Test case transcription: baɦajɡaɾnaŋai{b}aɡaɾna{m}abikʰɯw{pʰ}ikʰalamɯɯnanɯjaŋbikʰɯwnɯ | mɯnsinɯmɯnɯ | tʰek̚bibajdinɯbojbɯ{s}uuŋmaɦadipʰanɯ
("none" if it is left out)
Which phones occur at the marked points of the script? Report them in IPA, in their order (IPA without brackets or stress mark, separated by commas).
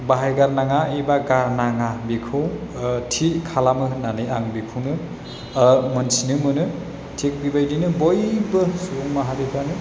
b, ŋ, tʰ, s